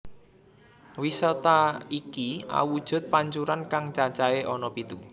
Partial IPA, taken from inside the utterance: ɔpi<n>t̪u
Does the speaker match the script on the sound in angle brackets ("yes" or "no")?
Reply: no